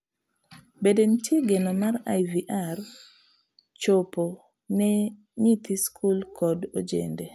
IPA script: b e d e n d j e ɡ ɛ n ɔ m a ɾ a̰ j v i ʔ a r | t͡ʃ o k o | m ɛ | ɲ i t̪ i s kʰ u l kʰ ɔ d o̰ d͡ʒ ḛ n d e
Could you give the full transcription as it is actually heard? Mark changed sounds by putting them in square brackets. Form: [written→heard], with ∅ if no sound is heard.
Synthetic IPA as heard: b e d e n [d→t] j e ɡ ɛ n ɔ m a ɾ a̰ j v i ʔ a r | t͡ʃ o [k→p] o | [m→n] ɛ | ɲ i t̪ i s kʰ u l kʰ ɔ d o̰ d͡ʒ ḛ n d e

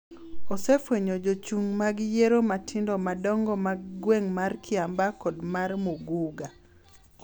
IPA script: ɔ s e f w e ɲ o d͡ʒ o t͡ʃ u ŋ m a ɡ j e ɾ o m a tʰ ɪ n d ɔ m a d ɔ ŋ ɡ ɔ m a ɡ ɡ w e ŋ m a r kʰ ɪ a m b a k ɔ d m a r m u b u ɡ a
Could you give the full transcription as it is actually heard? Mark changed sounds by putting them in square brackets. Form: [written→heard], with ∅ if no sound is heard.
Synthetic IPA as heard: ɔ s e f w e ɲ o d͡ʒ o t͡ʃ u ŋ m a ɡ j e ɾ o m a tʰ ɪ n d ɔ m a d ɔ ŋ ɡ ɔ m a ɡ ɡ w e ŋ m a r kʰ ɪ a m b a k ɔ d m a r m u [b→ɡ] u ɡ a

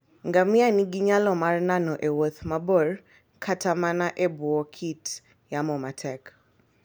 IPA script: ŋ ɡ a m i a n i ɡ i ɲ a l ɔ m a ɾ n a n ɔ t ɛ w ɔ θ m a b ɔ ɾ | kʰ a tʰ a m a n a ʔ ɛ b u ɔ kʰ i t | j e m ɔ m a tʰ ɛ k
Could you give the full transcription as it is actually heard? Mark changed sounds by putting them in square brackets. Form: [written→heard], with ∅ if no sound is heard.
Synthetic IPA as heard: ŋ ɡ a m i a n i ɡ i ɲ a l ɔ m a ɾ n a n ɔ [t→ʔ] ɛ w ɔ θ m a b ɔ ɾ | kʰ a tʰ a m a n a ʔ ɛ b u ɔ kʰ i t | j [e→a] m ɔ m a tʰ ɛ k

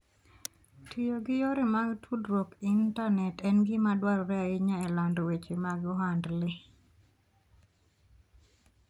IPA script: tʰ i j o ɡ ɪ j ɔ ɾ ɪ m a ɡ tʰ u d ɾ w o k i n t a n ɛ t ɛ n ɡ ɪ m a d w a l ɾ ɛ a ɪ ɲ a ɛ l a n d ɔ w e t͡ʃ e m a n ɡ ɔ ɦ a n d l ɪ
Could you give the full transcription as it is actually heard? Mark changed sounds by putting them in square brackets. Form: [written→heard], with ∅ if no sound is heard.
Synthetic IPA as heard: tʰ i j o ɡ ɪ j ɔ ɾ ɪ m a ɡ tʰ u d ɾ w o k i n t a n ɛ t ɛ n ɡ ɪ m a d w a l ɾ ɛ a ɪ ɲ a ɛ l a n d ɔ w e t͡ʃ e m a [n→∅] ɡ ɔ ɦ a n d l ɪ

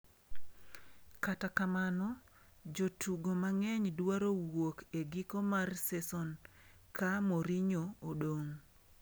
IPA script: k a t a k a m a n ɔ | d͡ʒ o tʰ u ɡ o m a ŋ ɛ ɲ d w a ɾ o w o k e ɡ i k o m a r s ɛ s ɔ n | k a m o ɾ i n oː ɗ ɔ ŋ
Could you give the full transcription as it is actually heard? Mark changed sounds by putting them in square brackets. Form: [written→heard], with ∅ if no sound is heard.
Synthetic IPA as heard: k a t a k a m a n ɔ | d͡ʒ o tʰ u ɡ o m a ŋ ɛ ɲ d w a ɾ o w o k e ɡ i k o m a r s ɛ s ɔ n | k a m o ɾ i [n→ɲ] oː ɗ [ɔ→o] ŋ

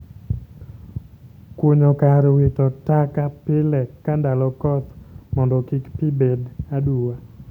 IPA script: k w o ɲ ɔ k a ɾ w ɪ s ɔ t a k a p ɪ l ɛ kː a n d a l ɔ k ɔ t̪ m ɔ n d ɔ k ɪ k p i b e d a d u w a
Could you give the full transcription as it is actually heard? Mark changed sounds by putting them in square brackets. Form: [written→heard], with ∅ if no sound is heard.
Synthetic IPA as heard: k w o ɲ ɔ k a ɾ w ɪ [s→t] ɔ t a k a p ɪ l ɛ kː a n d a l ɔ k ɔ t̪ m ɔ n d ɔ k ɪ k p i b e d a d u w a

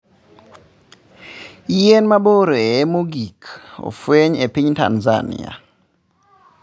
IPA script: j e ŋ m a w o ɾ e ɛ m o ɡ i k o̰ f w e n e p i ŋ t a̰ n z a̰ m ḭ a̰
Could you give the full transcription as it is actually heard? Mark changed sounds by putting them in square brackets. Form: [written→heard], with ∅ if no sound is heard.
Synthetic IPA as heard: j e [ŋ→n] m a [w→b] o ɾ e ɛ m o ɡ i k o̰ f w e [n→ɲ] e p i [ŋ→ɲ] t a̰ n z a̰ [m→n] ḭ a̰

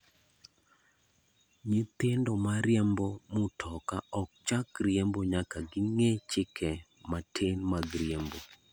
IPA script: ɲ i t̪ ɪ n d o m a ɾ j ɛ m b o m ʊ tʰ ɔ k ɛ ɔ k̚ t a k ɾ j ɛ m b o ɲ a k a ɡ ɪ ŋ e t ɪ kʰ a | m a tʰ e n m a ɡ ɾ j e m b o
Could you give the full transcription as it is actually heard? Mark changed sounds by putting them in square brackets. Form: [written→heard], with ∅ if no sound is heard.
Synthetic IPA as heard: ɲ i t̪ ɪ n d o m a ɾ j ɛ m b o m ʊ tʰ ɔ k [ɛ→a] ɔ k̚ [t→t͡ʃ] a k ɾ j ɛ m b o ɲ a k a ɡ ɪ ŋ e [t→t͡ʃ] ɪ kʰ [a→ɛ] | m a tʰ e n m a ɡ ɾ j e m b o

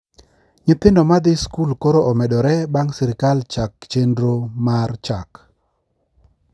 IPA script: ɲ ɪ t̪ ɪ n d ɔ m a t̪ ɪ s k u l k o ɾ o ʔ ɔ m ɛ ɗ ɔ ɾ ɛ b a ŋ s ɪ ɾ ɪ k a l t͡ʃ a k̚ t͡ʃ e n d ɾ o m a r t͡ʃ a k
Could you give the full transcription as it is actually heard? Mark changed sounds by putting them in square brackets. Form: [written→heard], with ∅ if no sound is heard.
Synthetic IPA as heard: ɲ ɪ t̪ ɪ n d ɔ m a [t̪→d̪] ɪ s k u l k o ɾ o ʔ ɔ m ɛ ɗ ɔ ɾ ɛ b a ŋ s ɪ ɾ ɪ k a l t͡ʃ a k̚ t͡ʃ e n d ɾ o m a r t͡ʃ a k

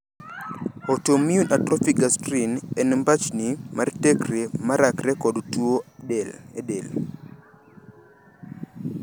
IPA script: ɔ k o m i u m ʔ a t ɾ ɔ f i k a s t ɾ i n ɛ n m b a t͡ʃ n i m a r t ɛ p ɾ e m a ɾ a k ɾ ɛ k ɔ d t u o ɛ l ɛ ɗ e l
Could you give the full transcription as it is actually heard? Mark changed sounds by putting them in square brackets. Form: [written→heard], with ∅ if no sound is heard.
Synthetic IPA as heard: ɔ [k→t] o m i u [m→n] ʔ a t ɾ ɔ f i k a s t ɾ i n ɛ n m b a t͡ʃ n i m a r t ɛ [p→k] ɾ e m a ɾ a k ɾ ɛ k ɔ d t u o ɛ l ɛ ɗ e l

